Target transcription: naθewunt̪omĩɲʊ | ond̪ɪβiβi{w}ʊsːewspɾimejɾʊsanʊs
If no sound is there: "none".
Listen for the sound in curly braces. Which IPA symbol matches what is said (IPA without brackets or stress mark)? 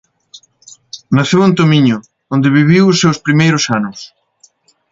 w